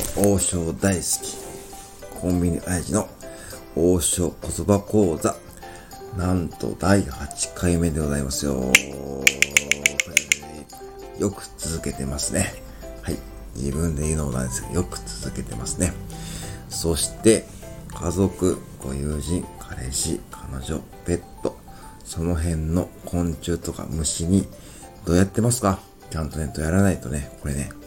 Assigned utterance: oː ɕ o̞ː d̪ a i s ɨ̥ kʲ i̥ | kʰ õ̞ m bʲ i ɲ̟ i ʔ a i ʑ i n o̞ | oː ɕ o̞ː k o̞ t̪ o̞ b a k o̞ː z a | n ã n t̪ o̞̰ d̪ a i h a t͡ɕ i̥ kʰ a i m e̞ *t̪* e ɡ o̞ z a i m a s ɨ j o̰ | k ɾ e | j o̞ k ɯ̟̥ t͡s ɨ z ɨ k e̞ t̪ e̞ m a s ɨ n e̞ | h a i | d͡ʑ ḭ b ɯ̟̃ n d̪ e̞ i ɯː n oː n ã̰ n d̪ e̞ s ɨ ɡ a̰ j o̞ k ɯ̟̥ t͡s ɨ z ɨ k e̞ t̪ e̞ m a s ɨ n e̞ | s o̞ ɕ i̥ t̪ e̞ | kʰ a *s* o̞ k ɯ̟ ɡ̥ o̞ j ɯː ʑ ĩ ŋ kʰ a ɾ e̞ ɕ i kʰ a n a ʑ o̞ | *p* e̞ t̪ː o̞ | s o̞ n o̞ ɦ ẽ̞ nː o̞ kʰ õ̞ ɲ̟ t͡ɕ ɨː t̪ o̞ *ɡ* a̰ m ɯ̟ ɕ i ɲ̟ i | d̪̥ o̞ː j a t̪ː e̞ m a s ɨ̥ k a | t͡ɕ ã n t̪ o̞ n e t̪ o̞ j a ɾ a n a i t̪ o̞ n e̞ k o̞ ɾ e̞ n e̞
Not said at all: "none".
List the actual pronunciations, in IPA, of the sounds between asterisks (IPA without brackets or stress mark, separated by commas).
d̪, z, p, k